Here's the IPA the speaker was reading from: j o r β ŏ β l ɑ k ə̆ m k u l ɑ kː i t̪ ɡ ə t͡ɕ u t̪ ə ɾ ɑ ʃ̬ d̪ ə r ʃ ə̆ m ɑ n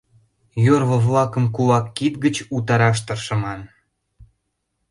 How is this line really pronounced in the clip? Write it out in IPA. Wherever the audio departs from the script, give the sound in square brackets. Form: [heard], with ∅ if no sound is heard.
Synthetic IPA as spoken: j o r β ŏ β l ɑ k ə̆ m k u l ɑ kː i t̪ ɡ ə t͡ɕ u t̪ [ɑ] ɾ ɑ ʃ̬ [t̪] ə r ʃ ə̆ m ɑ n